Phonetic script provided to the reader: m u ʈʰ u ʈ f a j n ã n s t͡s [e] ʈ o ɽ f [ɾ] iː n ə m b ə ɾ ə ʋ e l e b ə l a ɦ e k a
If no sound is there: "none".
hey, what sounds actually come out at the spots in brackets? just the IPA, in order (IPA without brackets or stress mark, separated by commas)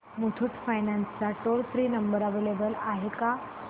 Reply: a, ɾ